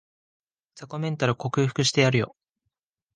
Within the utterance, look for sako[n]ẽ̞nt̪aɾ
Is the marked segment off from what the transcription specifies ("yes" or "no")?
yes